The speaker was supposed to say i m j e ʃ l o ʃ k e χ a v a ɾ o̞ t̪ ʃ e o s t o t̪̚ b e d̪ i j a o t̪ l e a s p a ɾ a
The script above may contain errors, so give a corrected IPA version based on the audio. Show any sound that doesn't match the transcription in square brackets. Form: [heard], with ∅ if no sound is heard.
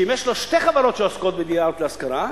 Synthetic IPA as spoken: i m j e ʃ l o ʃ [t] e χ a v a ɾ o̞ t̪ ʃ e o s [k] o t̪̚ b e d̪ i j a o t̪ l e a s [k] a ɾ a